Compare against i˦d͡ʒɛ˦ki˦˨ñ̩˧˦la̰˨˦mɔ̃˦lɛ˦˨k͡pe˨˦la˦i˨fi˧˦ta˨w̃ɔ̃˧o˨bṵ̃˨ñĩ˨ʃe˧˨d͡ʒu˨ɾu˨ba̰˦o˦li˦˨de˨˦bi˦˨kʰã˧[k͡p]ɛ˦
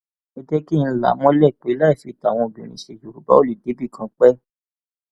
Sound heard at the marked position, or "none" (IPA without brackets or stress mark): k͡p